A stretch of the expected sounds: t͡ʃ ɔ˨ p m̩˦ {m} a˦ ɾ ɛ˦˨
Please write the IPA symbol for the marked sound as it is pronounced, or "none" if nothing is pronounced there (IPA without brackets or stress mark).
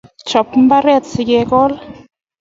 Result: b